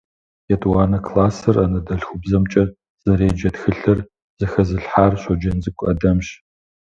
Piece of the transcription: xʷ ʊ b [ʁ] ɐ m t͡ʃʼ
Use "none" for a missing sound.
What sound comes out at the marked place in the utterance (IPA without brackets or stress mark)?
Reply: z